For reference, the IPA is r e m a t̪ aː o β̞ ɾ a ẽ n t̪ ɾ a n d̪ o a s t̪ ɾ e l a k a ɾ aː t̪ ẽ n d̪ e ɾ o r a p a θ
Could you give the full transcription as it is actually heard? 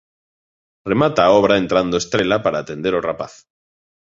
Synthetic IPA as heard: r e m a t̪ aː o β̞ ɾ a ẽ n t̪ ɾ a n d̪ o e s t̪ ɾ e l a p a ɾ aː t̪ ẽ n d̪ e ɾ o r a p a θ